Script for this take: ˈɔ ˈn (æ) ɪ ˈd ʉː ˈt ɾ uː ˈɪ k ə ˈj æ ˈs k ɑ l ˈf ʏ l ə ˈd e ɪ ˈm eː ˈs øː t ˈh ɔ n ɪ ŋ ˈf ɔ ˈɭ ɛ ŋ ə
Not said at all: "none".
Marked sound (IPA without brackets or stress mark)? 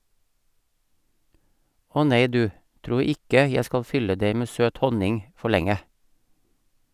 e